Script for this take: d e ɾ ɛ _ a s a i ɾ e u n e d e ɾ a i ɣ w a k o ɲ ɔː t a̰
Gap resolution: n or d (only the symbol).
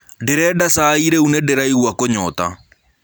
d